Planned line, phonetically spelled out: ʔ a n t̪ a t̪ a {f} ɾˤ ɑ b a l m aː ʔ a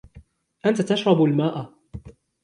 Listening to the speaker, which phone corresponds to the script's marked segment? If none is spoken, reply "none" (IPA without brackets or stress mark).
ʃ